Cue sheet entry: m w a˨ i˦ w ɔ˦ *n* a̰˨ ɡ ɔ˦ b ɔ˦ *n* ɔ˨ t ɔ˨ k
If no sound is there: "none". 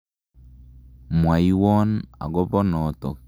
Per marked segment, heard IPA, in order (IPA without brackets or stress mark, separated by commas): n, n